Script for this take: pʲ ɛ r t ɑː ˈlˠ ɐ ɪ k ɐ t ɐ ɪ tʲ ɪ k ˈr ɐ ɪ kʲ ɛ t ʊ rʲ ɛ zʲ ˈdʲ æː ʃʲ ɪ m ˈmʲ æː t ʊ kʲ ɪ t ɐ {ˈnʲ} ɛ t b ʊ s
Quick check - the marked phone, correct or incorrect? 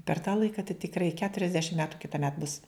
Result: incorrect: mʲ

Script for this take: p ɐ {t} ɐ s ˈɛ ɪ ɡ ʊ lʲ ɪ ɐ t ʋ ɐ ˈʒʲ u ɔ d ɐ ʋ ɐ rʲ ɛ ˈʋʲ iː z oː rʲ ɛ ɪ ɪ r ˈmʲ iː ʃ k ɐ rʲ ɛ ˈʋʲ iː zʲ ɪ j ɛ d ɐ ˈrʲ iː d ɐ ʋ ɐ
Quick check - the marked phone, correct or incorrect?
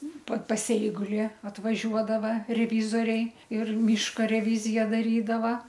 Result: incorrect: p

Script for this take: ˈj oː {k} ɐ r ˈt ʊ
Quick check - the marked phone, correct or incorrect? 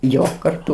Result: correct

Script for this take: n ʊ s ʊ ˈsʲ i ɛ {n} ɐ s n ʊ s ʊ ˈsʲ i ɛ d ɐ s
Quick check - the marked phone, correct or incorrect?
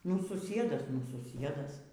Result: incorrect: d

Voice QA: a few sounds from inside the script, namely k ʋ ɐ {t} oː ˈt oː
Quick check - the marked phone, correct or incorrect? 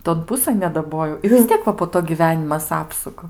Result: incorrect: p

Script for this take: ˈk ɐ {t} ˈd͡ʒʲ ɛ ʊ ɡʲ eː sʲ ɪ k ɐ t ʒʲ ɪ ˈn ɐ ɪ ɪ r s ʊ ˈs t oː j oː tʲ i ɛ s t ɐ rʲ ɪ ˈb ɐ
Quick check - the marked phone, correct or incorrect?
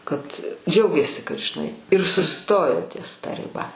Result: correct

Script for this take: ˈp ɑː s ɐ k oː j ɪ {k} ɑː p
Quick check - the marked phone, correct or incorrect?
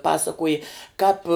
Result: correct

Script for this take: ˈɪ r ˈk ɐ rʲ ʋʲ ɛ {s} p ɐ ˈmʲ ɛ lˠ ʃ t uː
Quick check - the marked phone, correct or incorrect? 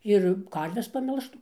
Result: correct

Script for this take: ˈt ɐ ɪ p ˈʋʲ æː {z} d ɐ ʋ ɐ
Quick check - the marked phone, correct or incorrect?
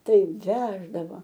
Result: incorrect: ʒ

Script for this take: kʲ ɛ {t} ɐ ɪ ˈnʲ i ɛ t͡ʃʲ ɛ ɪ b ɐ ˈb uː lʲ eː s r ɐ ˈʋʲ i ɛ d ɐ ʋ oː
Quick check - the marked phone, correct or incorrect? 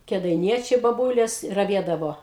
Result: incorrect: d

